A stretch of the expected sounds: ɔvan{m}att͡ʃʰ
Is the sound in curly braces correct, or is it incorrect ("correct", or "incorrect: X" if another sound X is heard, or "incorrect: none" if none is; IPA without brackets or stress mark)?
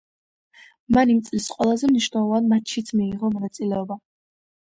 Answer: correct